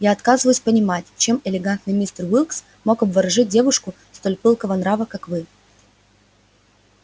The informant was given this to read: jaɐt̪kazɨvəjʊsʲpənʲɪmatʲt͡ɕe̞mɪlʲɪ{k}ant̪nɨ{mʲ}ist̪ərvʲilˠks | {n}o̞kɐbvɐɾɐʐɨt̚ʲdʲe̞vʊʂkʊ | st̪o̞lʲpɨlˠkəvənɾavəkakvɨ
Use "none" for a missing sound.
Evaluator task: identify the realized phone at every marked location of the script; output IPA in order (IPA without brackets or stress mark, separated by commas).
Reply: ɡ, mʲ, m